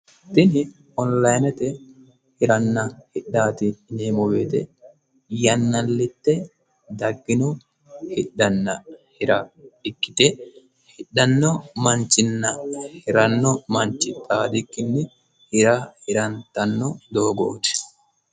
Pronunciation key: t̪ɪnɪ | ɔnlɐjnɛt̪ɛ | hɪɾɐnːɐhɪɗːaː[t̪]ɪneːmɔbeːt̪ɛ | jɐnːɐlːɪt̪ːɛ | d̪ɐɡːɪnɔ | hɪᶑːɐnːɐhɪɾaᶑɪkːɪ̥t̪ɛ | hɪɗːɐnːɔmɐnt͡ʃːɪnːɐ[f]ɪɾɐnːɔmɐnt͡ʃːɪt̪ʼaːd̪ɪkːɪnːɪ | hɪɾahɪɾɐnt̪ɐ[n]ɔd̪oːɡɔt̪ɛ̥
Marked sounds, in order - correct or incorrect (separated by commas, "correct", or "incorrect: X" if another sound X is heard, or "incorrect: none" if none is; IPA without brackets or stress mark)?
correct, incorrect: h, incorrect: nː